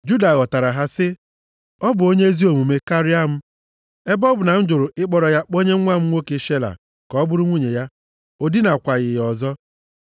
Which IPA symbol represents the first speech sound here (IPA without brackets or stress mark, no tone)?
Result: d͡ʒ